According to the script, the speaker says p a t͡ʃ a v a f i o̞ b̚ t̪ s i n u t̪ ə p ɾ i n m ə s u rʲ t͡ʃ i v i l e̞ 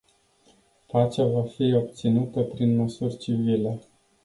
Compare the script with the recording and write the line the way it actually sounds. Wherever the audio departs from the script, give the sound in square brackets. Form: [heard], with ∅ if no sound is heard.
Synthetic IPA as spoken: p a t͡ʃ a v a f i o̞ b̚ t̪ s i n u t̪ ə p ɾ i n m ə s u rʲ t͡ʃ i v i l e̞

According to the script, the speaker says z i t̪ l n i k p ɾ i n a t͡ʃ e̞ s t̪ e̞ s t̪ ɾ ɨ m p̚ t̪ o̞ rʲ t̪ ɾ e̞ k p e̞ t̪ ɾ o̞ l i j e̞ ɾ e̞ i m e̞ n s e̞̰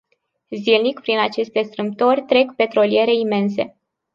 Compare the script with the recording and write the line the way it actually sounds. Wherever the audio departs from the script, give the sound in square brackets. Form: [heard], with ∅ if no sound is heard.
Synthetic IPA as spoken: z i [∅] l n i k p ɾ i n a t͡ʃ e̞ s t̪ e̞ s t̪ ɾ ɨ m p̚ t̪ o̞ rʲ t̪ ɾ e̞ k p e̞ t̪ ɾ o̞ l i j e̞ ɾ e̞ i m e̞ n s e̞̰

